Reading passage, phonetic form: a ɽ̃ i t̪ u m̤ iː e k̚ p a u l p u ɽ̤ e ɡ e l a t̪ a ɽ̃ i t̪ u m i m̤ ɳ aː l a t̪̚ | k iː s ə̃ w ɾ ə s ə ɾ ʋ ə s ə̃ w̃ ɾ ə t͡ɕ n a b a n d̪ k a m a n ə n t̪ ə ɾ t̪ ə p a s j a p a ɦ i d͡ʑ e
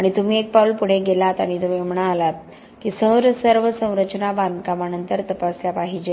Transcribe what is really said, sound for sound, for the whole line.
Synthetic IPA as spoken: a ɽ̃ i t̪ u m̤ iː e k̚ p a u l p u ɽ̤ e ɡ e l a t̪ a ɽ̃ i t̪ u m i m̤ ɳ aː l a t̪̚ | k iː s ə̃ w ɾ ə s ə ɾ ʋ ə s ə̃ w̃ ɾ ə t͡ɕ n a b a n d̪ k a m a n ə n t̪ ə ɾ t̪ ə p a s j a p a ɦ i d͡ʑ e